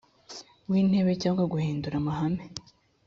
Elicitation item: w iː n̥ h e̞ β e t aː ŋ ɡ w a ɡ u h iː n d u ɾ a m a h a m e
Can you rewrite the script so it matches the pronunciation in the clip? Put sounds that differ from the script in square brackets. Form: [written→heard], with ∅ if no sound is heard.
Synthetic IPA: w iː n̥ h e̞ β e [t→c] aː ŋ ɡ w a ɡ u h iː n d u ɾ a m a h a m e